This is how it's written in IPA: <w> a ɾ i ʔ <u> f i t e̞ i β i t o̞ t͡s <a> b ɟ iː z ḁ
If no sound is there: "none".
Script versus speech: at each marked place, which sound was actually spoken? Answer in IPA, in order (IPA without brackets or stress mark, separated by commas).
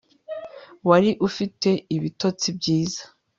w, u, i